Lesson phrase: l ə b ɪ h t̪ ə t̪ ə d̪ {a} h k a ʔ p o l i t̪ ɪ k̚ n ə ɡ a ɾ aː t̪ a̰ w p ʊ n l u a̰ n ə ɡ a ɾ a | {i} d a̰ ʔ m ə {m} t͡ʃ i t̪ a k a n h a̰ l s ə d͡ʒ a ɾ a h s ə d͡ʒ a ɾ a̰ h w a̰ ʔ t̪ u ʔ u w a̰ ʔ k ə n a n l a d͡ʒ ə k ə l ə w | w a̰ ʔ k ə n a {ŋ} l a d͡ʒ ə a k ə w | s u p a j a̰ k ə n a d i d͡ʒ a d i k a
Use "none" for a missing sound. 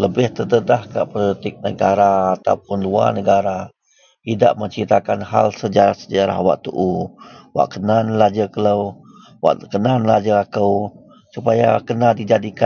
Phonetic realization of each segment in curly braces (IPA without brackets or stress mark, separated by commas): a, i, ɲ, n